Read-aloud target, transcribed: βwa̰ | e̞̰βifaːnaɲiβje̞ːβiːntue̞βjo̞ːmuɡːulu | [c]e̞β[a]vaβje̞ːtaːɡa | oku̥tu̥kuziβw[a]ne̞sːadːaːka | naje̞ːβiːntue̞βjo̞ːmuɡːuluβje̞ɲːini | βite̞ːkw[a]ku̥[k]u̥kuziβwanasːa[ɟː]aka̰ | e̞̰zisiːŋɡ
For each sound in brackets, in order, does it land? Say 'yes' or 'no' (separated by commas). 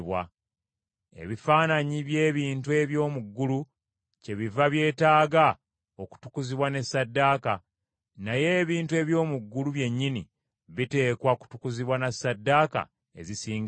yes, no, yes, yes, no, no